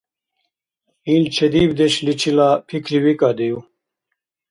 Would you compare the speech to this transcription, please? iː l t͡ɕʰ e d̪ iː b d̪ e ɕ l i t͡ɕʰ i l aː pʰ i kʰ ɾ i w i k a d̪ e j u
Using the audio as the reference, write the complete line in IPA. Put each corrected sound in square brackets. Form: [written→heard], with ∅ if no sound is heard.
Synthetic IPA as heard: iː l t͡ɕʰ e d̪ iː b d̪ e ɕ l i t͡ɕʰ i l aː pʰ i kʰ ɾ i w i k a d̪ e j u